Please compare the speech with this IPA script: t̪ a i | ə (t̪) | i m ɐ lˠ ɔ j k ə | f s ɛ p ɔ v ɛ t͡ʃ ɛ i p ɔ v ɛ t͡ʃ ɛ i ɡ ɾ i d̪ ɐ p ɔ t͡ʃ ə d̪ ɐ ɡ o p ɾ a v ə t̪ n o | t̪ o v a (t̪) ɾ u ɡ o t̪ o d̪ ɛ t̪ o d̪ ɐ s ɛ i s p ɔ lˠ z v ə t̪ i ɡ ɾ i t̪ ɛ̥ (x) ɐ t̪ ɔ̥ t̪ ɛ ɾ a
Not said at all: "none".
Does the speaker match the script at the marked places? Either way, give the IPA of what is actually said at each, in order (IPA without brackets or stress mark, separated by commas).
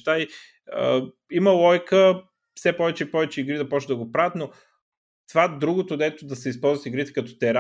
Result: none, d̪, k